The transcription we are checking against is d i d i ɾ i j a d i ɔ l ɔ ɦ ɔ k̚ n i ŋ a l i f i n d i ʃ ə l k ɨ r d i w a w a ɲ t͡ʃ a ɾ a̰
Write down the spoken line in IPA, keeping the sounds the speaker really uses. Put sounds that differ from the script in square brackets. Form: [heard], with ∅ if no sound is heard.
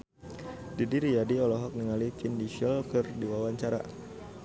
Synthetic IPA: d i d i ɾ i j a d i ɔ l ɔ ɦ ɔ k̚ n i ŋ a l i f i n d i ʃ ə l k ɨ r d i w a w a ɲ t͡ʃ a ɾ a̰